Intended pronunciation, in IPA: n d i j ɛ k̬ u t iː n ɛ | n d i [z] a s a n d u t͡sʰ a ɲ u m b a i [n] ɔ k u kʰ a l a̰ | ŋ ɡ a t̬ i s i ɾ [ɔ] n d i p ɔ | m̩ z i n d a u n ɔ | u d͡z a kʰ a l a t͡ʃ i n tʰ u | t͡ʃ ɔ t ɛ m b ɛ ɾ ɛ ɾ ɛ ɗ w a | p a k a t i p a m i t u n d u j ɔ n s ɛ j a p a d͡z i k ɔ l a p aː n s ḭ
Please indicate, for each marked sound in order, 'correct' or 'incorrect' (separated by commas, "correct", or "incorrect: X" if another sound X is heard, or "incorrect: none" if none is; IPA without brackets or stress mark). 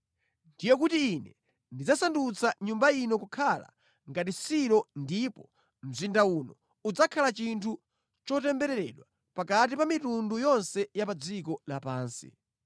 incorrect: d͡z, correct, correct